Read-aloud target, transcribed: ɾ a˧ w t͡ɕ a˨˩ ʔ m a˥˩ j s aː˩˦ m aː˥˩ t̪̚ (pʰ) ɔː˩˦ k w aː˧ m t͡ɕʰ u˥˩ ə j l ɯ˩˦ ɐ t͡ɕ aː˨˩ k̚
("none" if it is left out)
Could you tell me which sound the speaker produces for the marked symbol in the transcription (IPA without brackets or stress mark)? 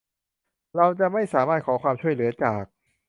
kʰ